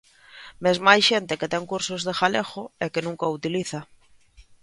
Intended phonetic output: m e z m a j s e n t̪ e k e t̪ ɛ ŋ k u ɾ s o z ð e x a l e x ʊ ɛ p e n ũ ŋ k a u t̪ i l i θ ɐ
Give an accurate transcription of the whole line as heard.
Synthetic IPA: m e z m a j ʃ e n t̪ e k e t̪ ɛ ŋ k u ɾ s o z ð e x a l e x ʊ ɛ k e n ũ ŋ k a u t̪ i l i θ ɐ

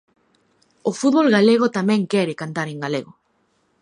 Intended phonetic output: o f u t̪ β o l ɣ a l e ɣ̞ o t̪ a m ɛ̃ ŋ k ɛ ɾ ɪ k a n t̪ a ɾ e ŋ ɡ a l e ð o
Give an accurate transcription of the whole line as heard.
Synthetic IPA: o f u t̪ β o l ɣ a l e ɣ̞ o t̪ a m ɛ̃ ŋ k ɛ ɾ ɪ k a n t̪ a ɾ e ŋ ɡ a l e ɣ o

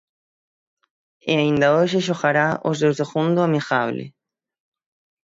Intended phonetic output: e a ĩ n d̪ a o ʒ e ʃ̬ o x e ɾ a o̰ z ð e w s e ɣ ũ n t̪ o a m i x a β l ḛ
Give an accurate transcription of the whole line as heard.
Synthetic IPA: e a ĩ n d̪ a o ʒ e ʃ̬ o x a ɾ a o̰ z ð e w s e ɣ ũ n d̪ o a m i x a β l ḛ

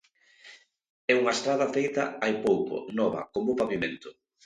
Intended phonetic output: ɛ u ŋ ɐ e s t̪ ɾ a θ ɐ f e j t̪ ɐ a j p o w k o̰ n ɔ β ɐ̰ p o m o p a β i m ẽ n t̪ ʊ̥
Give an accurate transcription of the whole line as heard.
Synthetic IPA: ɛ u ŋ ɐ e s t̪ ɾ a ð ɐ f e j t̪ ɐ a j p o w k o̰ n ɔ β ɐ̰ k o m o p a β i m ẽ n t̪ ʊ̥

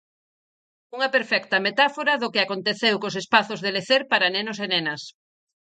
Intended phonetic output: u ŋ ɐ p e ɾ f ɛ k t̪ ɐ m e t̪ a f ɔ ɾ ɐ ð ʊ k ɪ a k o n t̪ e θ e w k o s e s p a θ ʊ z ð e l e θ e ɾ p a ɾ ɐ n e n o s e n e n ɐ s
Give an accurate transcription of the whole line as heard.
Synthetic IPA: u ŋ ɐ p e ɾ f ɛ k t̪ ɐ m e t̪ a f o ɾ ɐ ð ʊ k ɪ a k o n t̪ e θ e w k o s e s p a θ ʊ z ð e l e θ e ɾ p a ɾ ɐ n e n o s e n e n ɐ s

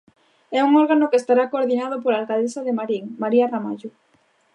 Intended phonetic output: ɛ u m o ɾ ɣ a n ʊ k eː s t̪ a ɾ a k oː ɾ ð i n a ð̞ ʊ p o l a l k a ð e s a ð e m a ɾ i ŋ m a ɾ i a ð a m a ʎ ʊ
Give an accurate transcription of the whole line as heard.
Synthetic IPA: ɛ u ŋ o ɾ ɣ a n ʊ k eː s t̪ a ɾ a k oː ɾ ð i n a ð̞ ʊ p o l a l k a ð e s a ð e m a ɾ i ŋ m a ɾ i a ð a m a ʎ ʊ

